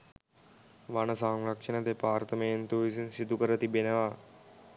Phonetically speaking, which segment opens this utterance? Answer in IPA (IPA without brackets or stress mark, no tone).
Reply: ʋ